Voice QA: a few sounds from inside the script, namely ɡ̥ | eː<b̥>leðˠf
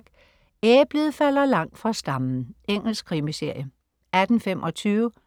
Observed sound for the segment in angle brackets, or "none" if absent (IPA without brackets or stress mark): b̥